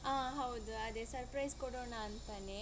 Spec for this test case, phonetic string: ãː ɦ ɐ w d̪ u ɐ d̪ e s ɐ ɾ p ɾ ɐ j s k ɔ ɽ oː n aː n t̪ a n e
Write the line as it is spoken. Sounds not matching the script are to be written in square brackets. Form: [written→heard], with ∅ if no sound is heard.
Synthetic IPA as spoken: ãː ɦ ɐ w d̪ u ɐ d̪ e s ɐ ɾ p ɾ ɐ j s k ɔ ɽ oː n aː n t̪ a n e